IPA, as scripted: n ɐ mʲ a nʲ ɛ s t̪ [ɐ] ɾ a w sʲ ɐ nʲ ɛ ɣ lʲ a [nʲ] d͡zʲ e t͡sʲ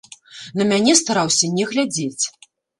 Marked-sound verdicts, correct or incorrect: incorrect, incorrect

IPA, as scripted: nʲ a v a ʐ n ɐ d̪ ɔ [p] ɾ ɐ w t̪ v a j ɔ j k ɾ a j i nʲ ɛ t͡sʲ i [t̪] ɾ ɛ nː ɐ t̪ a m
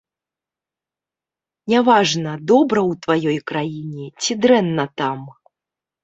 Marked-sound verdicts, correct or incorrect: incorrect, incorrect

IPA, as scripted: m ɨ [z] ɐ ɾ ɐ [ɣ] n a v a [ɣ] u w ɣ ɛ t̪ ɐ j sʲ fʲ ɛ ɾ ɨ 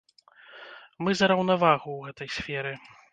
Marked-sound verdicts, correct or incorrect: correct, incorrect, correct

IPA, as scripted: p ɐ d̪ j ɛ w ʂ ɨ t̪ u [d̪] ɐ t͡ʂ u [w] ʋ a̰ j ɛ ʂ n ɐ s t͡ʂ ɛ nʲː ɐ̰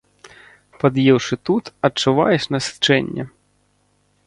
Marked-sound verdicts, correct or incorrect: incorrect, incorrect

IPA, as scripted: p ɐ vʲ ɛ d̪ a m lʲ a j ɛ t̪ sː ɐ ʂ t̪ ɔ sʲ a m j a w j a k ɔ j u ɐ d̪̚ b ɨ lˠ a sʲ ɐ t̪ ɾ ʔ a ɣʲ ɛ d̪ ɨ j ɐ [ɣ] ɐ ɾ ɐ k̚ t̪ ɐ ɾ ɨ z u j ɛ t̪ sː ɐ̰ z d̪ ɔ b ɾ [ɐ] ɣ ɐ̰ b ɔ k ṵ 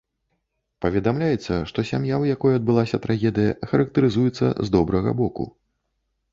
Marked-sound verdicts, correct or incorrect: incorrect, correct

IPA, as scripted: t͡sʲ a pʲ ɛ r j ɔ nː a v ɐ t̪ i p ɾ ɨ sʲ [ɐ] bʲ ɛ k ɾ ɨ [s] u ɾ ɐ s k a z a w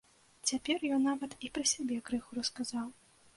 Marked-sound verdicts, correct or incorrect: incorrect, incorrect

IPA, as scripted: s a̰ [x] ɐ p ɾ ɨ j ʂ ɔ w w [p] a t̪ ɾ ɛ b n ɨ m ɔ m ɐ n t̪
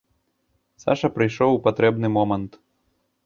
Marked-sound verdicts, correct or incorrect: incorrect, correct

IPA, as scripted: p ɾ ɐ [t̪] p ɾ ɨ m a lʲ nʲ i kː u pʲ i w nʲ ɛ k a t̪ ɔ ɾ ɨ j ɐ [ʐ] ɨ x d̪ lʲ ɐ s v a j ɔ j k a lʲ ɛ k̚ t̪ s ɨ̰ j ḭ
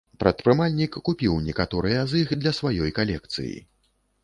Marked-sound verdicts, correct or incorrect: correct, incorrect

